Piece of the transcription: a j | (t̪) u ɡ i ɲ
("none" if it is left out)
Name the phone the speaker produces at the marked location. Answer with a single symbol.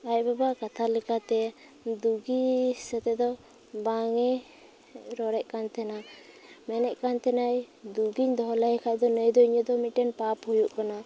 d̪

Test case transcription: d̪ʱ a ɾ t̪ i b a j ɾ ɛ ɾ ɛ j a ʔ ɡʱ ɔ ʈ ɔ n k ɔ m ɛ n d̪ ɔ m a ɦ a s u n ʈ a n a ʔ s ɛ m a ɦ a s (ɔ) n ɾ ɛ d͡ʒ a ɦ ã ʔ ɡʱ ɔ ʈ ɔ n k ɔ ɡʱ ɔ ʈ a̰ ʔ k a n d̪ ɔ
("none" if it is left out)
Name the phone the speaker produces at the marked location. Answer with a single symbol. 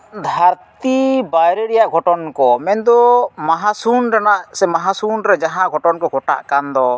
u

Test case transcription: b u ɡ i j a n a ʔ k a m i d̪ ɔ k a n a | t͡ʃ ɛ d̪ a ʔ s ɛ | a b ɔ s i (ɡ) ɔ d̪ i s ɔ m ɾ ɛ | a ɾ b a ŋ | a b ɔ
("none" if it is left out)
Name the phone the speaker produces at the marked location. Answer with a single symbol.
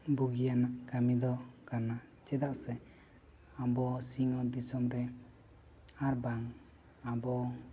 ŋ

